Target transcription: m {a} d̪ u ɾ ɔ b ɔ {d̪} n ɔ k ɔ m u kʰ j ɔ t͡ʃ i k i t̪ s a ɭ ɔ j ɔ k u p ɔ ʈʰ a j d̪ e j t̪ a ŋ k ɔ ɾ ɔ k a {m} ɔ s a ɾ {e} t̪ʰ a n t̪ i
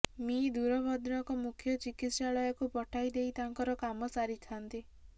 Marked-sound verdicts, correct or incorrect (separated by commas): incorrect, correct, correct, incorrect